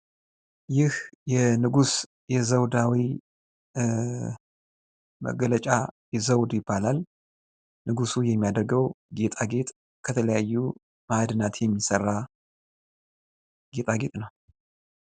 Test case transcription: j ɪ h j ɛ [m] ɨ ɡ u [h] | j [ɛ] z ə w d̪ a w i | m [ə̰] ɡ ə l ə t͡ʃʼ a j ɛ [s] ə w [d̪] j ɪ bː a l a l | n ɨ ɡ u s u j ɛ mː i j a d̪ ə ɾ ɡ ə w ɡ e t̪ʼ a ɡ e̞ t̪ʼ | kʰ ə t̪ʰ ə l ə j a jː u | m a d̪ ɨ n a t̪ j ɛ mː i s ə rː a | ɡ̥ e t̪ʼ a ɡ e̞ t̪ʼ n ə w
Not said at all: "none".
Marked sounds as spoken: n, s, ɛ, ə̰, z, d̪

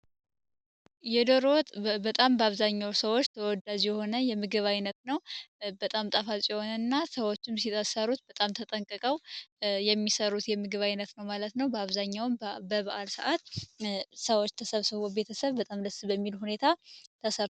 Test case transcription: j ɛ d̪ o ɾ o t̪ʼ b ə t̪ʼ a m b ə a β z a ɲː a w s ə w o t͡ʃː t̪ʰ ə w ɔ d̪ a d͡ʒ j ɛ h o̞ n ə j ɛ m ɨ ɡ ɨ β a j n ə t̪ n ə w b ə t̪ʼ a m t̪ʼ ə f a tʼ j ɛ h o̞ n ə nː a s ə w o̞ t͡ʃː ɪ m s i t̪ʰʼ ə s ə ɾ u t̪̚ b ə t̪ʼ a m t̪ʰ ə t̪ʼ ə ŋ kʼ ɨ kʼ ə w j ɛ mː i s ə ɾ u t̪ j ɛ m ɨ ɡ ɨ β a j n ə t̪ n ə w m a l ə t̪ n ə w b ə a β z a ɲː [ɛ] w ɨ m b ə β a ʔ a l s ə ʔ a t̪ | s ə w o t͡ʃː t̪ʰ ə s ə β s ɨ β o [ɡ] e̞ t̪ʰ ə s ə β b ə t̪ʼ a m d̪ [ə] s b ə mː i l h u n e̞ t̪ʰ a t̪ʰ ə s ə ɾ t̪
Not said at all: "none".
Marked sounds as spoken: a, b, ə

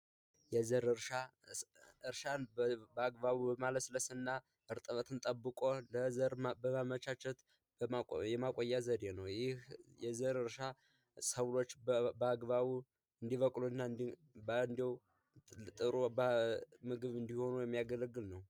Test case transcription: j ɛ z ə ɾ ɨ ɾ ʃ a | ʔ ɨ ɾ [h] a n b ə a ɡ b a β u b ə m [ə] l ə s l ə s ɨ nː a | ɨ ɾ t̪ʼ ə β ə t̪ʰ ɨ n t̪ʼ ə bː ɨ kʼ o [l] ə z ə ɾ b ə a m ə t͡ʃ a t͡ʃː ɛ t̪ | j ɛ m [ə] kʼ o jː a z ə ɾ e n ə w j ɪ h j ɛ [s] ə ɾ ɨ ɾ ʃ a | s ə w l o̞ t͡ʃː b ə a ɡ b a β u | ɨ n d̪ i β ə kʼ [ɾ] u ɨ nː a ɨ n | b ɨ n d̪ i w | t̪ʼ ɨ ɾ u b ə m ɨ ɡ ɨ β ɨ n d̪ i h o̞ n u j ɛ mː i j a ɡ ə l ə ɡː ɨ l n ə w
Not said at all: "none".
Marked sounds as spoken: ʃ, a, l, a, z, l

